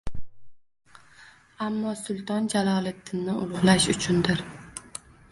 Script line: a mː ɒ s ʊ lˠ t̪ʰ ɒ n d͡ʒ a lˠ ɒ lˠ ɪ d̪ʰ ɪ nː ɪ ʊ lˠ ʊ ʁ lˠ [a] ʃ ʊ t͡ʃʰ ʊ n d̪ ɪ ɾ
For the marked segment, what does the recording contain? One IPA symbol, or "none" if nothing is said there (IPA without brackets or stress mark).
a